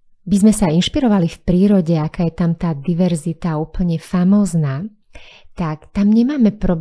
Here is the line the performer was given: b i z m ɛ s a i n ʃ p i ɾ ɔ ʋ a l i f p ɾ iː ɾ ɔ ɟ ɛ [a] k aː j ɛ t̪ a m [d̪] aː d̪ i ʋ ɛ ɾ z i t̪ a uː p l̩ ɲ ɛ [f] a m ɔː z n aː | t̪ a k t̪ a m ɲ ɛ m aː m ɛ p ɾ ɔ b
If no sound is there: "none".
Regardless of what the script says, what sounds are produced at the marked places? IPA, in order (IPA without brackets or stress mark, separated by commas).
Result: a, t̪, f